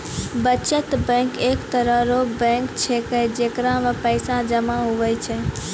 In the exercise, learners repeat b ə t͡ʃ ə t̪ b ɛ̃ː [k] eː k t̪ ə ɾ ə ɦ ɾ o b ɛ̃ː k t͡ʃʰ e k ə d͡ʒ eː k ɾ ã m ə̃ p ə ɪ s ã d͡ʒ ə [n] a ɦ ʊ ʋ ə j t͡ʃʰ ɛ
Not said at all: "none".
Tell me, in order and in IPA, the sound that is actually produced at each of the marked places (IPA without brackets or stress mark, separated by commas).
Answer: k, m